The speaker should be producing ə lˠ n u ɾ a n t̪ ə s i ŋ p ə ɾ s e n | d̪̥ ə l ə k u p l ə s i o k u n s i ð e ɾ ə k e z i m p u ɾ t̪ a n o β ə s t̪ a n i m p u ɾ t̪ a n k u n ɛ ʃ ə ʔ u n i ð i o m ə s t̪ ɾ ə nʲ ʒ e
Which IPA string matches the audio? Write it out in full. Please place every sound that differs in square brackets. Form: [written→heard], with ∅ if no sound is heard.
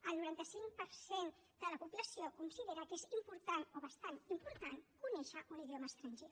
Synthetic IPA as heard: ə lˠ n u ɾ a n t̪ ə s i ŋ p ə ɾ s e n | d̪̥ ə l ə [k→p] u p l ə s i o k u n s i ð e ɾ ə k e z i m p u ɾ t̪ a n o β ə s t̪ a n i m p u ɾ t̪ a n k u n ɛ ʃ ə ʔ u n i ð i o m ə s t̪ ɾ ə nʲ ʒ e